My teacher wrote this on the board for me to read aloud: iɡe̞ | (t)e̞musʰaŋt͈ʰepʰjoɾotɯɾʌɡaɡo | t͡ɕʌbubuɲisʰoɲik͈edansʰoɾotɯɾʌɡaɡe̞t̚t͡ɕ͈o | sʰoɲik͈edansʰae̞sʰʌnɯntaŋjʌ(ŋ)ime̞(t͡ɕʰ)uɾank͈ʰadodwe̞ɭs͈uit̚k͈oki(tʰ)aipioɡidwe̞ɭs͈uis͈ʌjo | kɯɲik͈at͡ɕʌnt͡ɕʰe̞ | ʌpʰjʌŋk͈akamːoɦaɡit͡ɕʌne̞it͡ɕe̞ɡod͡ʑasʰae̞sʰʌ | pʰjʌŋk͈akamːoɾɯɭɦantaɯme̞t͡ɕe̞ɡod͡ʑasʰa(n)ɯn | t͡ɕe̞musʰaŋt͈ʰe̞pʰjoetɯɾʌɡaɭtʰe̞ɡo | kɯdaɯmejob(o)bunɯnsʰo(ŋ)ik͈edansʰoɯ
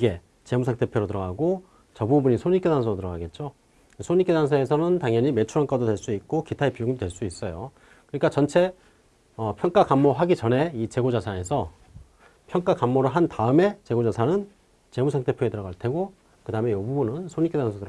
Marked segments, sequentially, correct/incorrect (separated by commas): incorrect, incorrect, correct, correct, correct, incorrect, incorrect